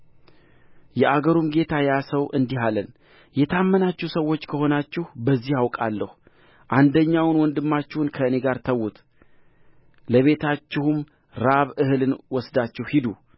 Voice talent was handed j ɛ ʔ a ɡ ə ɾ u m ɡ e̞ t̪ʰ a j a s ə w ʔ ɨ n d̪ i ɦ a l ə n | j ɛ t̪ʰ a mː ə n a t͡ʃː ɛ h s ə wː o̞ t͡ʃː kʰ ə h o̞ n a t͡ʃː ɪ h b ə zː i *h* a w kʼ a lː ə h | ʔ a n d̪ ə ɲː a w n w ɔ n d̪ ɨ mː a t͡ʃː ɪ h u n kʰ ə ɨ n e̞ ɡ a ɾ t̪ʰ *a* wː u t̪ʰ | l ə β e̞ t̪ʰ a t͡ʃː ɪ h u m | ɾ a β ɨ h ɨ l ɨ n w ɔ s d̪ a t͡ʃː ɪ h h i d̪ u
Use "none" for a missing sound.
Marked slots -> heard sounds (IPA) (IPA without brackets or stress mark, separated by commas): h, ə